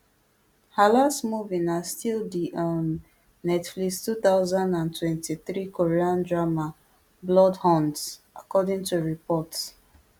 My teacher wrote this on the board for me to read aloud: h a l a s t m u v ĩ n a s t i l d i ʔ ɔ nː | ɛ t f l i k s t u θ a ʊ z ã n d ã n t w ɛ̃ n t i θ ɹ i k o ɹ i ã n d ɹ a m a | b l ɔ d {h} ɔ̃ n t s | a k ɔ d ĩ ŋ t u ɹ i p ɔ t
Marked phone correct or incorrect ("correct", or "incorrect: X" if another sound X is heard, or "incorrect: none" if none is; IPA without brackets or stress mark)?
correct